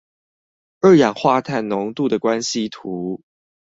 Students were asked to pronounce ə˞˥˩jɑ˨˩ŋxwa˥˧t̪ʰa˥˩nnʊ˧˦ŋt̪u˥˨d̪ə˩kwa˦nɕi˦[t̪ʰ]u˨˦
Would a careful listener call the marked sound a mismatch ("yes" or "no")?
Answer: no